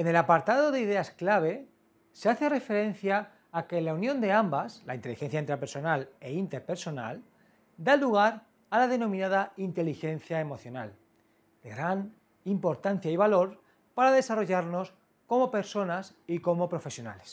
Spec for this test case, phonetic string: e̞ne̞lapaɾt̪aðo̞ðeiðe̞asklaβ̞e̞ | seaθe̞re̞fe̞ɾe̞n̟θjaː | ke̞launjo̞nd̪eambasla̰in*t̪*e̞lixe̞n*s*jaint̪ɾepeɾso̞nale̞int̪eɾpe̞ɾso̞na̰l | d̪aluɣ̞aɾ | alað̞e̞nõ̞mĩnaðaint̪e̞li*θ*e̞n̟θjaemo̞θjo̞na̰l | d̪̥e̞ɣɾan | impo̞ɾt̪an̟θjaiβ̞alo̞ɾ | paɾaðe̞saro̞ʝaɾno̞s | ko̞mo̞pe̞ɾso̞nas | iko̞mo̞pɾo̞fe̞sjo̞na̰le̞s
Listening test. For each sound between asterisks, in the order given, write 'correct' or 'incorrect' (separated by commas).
correct, incorrect, incorrect